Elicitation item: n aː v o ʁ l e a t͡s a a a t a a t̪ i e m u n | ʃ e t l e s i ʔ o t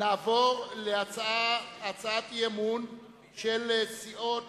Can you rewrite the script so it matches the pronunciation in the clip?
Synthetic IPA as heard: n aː v o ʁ l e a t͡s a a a t͡s a a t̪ j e m u n | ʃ e l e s i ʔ o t